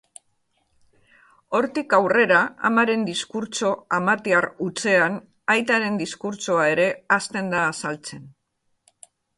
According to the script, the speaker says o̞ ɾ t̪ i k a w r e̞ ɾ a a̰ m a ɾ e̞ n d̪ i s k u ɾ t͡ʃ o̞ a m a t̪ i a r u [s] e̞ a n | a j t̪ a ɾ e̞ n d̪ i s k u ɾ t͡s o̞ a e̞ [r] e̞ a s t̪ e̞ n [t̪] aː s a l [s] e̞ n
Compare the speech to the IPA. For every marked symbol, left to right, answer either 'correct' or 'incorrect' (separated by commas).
incorrect, incorrect, incorrect, incorrect